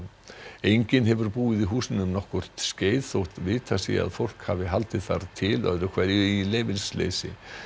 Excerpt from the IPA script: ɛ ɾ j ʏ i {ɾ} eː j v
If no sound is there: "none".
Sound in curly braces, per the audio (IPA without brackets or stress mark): l